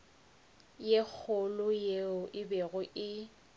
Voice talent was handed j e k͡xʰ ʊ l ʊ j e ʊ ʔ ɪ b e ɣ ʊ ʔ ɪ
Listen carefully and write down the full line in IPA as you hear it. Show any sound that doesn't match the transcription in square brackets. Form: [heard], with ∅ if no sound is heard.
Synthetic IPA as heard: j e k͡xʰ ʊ l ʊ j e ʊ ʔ ɪ b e ɣ ʊ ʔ ɪ